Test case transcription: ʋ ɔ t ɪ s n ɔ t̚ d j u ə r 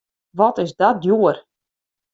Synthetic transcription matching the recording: ʋ ɔ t ɪ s d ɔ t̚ d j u ə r